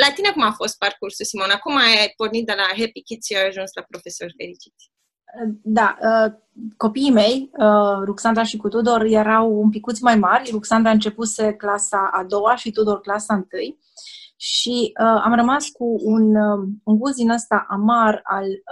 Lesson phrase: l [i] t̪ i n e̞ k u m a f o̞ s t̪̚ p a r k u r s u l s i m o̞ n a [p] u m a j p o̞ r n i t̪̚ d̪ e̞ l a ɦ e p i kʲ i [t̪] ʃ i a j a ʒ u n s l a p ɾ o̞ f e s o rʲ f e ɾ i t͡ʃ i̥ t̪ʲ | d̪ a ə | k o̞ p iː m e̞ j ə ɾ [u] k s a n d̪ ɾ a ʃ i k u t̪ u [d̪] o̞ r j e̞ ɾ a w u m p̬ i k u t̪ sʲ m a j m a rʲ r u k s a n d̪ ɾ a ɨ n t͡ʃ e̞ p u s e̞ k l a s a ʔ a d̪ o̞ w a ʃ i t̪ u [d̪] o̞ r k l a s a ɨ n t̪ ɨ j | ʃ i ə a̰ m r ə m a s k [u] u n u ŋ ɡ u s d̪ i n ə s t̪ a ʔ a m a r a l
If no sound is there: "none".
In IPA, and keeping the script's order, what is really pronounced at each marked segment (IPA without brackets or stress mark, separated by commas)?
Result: a, k, t̪, u, d̪, d̪, u